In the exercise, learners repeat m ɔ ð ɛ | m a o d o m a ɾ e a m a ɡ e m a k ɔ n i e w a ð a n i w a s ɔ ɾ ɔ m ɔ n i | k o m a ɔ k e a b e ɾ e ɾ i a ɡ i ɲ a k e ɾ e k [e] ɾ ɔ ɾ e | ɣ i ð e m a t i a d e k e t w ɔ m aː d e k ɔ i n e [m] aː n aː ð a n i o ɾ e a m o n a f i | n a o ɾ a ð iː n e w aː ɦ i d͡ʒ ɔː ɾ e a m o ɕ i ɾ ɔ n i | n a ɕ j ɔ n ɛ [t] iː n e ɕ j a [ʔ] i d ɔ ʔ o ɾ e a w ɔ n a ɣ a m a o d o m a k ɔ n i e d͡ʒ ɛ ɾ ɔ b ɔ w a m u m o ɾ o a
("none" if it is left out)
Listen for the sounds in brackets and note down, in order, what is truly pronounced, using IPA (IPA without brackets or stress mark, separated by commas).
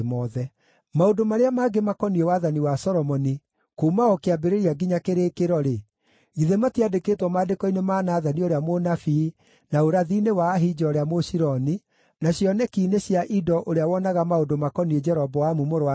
e, m, k, ʔ